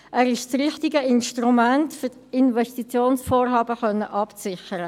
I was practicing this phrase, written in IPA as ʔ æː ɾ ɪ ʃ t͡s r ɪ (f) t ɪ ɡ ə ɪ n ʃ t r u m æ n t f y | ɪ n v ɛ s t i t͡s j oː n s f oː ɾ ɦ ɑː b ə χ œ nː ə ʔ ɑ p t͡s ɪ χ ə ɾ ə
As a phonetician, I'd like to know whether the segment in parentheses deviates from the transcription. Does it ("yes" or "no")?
yes